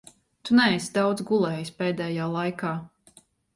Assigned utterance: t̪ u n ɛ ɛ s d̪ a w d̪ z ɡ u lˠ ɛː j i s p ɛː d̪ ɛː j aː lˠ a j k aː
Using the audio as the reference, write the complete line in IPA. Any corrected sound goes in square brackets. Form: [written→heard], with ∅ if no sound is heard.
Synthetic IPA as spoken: t̪ u n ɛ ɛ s d̪ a w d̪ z ɡ u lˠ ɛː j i s p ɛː d̪ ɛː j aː lˠ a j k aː